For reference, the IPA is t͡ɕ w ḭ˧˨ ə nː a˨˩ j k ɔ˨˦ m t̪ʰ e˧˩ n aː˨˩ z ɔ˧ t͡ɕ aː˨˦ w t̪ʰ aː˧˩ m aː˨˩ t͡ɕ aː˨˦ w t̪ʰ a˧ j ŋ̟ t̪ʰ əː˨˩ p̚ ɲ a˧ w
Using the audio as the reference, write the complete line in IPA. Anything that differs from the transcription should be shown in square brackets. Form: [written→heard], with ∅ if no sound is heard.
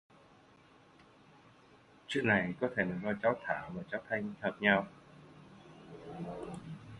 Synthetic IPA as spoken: t͡ɕ w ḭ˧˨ ə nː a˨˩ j k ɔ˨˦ [m→∅] t̪ʰ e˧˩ n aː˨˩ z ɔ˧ t͡ɕ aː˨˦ w t̪ʰ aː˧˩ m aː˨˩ t͡ɕ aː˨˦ w t̪ʰ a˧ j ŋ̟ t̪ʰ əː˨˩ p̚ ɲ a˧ w